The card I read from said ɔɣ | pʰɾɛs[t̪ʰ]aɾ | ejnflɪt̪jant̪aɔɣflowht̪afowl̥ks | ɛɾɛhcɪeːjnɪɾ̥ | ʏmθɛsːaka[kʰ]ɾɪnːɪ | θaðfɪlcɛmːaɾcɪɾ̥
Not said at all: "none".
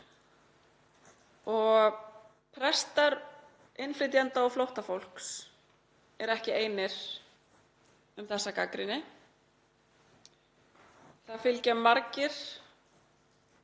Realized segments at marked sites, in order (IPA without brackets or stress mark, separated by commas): t̪, k